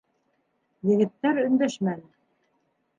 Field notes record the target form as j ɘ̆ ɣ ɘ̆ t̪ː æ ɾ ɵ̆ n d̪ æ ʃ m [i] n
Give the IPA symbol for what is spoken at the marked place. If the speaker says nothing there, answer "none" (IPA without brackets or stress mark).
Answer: æ